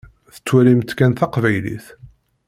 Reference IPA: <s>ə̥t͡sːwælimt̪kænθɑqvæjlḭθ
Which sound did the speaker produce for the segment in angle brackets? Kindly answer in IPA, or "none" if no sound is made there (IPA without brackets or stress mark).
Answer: θ